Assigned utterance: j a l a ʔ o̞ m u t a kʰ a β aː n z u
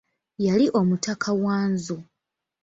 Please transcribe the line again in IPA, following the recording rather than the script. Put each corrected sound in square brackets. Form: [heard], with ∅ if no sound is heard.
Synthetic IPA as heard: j a l [i] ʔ o̞ m u t a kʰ a [w] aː n z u